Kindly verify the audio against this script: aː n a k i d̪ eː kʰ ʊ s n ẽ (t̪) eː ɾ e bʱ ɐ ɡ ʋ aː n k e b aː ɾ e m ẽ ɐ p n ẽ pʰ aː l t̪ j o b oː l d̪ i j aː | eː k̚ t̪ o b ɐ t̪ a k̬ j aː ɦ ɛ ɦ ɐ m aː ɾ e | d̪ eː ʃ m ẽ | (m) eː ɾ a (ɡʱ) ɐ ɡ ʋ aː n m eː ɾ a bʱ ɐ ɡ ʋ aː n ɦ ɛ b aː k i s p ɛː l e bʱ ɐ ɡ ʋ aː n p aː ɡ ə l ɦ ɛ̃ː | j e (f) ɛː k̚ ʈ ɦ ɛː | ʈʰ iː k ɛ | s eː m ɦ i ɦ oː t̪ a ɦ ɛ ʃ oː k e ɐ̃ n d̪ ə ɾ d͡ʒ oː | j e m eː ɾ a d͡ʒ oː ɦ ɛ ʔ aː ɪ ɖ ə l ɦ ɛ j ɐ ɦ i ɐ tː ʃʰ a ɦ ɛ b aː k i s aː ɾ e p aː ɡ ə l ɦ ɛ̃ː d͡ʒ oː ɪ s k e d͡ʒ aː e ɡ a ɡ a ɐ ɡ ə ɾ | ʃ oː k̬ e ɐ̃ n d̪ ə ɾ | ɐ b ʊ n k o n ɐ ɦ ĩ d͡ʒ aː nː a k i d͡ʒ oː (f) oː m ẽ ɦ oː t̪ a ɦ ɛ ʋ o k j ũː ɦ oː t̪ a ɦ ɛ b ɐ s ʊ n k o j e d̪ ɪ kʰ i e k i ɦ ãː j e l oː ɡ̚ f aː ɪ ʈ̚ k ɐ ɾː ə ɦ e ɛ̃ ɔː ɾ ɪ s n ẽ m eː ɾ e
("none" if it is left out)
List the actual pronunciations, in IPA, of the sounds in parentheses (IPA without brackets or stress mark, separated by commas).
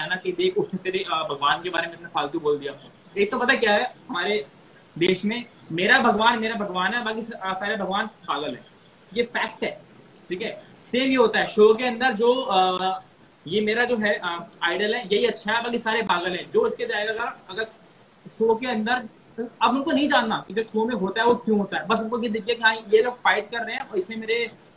t̪, m, bʱ, f, ʃ